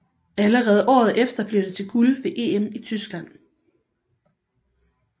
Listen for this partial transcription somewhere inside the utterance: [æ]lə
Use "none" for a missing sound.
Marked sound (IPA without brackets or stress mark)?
æ